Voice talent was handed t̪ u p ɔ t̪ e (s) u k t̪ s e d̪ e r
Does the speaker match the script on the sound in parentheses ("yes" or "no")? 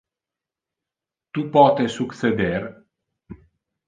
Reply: yes